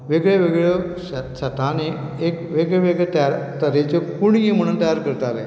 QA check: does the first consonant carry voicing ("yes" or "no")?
yes